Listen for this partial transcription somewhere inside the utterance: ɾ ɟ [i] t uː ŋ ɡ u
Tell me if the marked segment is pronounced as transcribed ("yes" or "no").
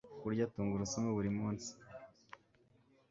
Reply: no